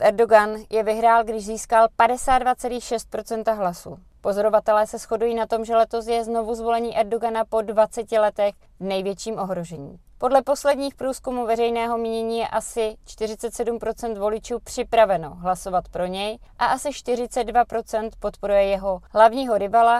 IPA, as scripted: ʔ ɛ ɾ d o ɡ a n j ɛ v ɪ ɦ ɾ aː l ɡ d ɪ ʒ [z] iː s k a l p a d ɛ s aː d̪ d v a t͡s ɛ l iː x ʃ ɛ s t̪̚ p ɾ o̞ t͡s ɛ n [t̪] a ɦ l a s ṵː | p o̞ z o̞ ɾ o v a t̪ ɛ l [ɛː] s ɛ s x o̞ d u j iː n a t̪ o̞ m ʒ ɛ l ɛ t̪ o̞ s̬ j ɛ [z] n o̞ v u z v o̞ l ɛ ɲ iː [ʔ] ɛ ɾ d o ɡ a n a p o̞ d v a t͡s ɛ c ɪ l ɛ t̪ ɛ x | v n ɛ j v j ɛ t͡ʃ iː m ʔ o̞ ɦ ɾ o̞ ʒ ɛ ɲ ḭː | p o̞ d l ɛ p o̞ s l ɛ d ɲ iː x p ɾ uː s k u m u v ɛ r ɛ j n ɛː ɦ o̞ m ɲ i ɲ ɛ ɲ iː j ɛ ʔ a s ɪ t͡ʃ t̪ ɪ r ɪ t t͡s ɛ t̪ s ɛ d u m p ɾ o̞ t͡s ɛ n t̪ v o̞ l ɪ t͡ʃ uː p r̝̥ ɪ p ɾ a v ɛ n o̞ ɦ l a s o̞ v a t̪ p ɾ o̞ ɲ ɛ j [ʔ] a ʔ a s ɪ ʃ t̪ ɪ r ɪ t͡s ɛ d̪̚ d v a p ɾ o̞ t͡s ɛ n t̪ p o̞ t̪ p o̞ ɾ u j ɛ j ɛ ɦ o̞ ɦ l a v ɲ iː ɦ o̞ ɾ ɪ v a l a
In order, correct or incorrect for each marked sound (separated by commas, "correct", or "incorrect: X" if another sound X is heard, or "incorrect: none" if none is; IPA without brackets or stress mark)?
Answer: correct, correct, correct, correct, correct, correct